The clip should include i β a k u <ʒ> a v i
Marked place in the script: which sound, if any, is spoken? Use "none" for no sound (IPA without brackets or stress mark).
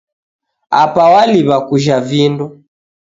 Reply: ʒ